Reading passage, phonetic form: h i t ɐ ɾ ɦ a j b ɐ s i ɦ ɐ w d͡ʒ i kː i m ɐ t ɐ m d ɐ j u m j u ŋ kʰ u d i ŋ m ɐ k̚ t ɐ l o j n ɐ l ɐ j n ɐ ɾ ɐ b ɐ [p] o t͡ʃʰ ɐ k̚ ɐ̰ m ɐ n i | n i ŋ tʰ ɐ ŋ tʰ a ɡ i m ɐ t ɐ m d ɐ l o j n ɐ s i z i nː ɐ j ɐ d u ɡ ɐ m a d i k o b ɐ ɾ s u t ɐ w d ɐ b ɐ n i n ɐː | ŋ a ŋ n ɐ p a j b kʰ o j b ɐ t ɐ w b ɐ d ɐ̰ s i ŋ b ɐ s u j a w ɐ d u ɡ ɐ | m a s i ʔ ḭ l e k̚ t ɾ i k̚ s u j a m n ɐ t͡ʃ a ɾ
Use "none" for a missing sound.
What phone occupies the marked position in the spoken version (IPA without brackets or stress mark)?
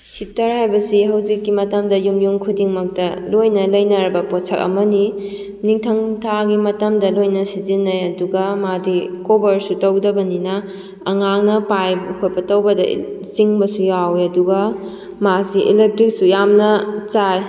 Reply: p